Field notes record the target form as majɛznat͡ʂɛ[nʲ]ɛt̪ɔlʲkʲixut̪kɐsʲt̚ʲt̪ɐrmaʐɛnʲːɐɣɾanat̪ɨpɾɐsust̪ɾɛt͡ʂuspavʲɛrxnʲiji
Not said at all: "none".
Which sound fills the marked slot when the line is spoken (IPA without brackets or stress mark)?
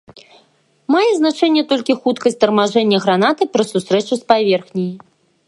nʲː